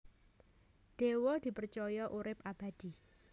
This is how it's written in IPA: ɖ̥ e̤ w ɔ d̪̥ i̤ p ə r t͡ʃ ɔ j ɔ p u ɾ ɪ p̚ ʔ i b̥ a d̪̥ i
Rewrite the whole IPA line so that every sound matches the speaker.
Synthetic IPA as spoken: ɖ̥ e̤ w ɔ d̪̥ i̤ p ə r t͡ʃ ɔ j ɔ ʔ u ɾ ɪ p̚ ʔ a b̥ a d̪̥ i